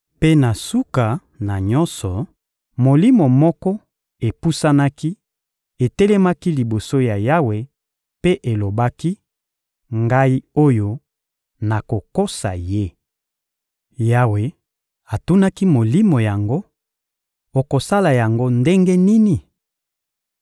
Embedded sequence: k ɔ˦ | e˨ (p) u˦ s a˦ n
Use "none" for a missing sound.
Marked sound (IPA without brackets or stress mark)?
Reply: p